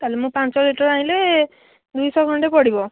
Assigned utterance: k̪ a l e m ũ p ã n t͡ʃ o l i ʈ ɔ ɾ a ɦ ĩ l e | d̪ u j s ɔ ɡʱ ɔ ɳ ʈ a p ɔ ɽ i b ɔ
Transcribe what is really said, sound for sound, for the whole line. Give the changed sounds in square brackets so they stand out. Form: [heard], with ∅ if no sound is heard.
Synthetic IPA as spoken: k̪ a l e m ũ p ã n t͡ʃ [ɔ] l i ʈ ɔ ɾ a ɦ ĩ l e | d̪ u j s ɔ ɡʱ ɔ ɳ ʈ [e] p ɔ ɽ i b ɔ

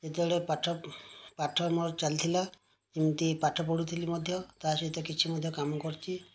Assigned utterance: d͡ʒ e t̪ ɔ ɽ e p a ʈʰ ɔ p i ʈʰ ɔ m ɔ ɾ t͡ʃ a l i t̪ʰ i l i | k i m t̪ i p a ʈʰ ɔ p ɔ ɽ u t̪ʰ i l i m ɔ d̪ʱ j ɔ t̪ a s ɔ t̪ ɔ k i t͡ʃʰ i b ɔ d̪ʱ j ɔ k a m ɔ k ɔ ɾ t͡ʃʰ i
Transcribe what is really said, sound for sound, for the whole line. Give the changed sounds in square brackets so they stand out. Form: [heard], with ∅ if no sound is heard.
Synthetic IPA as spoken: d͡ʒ e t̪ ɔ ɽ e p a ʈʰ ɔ p [a] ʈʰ ɔ m ɔ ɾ t͡ʃ a l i t̪ʰ i l [a] | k i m t̪ i p a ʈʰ ɔ p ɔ ɽ u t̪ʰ i l i m ɔ d̪ʱ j ɔ t̪ a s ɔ t̪ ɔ k i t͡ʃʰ i [m] ɔ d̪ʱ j ɔ k a m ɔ k ɔ ɾ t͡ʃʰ i

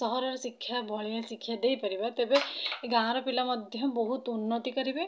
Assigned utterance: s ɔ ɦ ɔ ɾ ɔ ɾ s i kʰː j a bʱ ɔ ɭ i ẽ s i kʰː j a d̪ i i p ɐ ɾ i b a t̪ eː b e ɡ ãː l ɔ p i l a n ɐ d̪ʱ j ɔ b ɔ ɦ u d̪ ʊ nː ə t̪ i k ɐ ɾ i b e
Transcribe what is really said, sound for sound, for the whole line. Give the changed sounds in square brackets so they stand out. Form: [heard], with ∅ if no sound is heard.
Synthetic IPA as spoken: s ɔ ɦ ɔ ɾ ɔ ɾ s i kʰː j a bʱ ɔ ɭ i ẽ s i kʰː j a d̪ [e] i p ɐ ɾ i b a t̪ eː b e ɡ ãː [ɾ] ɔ p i l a [m] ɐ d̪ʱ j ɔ b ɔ ɦ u [t̪] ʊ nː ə t̪ i k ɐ ɾ i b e

